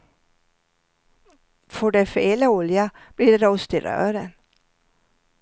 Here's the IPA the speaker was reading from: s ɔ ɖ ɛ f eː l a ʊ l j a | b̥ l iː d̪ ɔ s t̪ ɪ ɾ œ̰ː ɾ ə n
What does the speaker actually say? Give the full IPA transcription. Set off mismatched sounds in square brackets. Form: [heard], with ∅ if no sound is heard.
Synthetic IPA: [f] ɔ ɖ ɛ f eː l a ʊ l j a | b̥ l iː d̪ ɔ s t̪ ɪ ɾ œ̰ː ɾ ə n